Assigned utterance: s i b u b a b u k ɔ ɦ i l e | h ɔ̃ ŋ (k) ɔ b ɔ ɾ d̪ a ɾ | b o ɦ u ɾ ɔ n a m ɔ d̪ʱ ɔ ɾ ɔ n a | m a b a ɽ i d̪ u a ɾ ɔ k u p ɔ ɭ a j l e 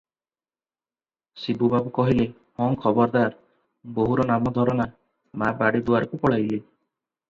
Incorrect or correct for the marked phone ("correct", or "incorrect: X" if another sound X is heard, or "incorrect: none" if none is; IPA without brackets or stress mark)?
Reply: incorrect: kʰ